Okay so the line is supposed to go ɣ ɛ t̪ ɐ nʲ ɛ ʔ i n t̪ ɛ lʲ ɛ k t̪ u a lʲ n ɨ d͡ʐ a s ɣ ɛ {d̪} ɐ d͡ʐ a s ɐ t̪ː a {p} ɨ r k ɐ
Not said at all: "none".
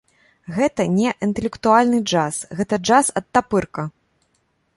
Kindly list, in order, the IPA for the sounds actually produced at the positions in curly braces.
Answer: t̪, p

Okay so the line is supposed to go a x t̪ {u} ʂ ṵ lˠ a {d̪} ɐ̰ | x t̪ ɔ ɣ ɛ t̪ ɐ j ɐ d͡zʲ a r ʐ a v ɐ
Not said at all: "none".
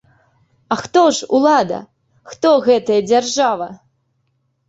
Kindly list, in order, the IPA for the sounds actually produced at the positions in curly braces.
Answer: ɔ, d̪

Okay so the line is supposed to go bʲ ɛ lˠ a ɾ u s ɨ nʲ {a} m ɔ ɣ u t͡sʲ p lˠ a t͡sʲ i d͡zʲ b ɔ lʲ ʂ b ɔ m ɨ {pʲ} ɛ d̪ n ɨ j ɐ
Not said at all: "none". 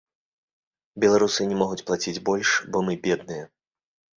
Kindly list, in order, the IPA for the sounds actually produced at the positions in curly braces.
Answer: ɛ, bʲ

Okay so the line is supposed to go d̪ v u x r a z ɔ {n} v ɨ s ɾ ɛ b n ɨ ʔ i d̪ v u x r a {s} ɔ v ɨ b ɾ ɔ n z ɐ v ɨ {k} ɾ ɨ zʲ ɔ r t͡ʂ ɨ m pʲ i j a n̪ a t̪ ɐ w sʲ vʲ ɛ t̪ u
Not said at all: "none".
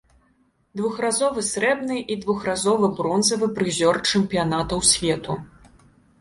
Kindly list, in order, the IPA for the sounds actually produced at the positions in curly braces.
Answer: none, z, p

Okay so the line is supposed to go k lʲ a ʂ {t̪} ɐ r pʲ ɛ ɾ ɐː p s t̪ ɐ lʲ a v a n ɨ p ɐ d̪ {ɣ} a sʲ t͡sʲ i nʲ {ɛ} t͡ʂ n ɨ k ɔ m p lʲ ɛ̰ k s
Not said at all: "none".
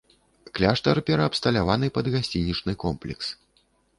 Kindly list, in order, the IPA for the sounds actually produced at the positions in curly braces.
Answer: t̪, ɣ, i

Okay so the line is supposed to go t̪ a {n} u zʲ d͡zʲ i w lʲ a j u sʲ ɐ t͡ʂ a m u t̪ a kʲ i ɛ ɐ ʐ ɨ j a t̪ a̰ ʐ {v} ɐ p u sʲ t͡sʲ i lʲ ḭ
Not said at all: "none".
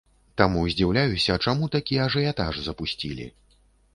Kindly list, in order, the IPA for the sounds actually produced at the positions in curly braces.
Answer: m, z

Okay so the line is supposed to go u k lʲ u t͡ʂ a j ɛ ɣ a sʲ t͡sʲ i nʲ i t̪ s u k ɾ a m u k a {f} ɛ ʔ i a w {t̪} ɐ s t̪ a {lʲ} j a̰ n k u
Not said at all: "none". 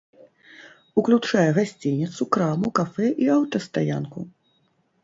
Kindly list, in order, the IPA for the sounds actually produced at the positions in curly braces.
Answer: f, t̪, none

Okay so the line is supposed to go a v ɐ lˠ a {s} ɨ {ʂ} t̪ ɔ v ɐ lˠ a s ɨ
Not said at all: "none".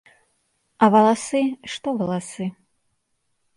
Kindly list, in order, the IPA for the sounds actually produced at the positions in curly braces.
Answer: s, ʂ

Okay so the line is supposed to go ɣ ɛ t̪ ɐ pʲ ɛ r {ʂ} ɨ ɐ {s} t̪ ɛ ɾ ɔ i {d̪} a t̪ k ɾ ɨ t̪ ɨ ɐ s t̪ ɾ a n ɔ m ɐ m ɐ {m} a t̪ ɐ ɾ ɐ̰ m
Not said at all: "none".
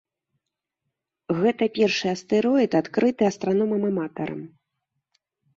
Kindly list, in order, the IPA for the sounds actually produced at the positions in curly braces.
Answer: ʂ, s, t̪, m

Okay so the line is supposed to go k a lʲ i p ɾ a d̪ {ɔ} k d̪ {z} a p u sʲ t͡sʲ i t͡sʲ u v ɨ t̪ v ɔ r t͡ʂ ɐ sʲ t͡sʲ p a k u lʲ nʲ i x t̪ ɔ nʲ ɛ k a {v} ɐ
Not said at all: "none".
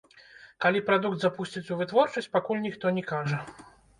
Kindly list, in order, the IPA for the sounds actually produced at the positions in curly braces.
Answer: u, z, ʐ

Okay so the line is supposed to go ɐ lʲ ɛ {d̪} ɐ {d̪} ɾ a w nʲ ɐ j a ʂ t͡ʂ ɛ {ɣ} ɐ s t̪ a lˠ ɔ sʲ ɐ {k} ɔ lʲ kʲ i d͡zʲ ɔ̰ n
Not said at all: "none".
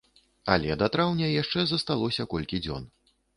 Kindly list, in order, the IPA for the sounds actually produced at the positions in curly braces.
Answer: d̪, t̪, z, k

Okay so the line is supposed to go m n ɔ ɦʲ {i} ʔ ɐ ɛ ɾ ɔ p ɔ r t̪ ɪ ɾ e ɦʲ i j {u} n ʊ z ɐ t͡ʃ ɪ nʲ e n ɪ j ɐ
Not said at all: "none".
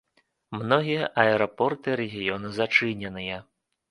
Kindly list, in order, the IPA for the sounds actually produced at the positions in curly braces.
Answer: i, ɔ

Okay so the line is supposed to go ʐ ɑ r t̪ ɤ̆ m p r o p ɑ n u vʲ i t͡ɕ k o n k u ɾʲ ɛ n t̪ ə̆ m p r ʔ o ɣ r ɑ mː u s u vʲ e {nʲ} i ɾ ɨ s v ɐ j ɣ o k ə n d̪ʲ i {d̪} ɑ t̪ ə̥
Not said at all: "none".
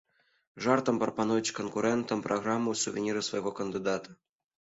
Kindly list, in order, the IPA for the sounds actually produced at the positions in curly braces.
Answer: nʲ, d̪

